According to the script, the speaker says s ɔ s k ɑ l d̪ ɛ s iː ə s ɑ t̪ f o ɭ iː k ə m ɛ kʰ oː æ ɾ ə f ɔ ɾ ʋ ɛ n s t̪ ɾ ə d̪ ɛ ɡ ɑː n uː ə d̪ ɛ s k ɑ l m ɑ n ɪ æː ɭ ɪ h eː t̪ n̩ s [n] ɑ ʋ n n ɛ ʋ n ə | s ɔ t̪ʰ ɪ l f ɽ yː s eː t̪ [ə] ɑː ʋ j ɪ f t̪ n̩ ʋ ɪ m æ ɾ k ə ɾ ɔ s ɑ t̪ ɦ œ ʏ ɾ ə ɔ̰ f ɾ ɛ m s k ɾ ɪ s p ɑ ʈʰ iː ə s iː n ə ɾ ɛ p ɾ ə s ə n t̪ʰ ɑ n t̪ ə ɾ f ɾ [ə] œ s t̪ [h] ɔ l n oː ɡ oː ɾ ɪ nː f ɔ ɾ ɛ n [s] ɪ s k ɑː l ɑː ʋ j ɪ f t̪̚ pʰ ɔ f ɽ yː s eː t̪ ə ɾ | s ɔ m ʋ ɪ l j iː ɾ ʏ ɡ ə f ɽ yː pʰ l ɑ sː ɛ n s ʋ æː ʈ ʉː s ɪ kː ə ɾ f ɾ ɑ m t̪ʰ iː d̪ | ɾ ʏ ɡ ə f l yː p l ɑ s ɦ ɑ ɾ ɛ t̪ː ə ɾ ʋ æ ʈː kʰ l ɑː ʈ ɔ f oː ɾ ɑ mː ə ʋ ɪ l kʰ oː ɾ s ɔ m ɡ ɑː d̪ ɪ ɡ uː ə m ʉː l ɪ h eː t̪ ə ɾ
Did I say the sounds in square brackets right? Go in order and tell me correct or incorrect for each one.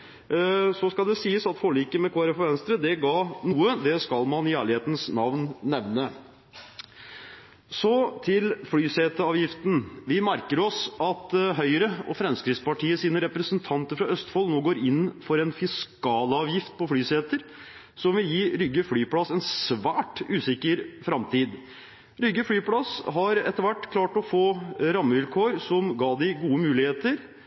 correct, correct, incorrect: ɑ, incorrect: f, incorrect: f

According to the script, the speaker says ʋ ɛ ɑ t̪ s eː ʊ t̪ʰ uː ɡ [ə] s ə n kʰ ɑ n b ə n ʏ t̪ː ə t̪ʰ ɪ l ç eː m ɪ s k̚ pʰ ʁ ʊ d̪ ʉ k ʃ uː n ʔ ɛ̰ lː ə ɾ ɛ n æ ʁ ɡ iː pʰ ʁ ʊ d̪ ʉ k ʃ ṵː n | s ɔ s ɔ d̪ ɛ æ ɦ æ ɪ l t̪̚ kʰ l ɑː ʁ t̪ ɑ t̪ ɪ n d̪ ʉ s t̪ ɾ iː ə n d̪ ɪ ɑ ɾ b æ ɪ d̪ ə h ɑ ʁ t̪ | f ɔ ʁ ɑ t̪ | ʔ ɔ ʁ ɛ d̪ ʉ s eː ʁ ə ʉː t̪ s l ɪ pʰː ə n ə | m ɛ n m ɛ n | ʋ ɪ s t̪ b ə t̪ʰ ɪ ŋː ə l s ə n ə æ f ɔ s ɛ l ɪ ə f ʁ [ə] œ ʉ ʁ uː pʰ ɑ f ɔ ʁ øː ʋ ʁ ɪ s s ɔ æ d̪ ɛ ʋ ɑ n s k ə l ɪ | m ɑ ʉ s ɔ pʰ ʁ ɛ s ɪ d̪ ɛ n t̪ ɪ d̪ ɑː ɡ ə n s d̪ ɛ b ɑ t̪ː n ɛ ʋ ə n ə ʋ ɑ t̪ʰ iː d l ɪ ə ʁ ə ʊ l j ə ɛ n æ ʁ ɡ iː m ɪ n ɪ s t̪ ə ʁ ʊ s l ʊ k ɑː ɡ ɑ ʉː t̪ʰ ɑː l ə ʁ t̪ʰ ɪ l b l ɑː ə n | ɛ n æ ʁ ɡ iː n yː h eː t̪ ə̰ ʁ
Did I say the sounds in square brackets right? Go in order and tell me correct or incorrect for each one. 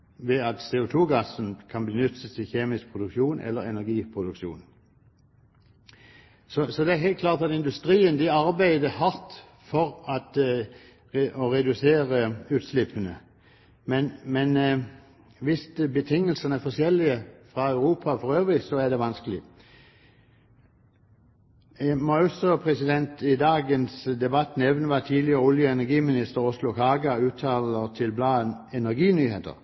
incorrect: ɑ, incorrect: ɑ

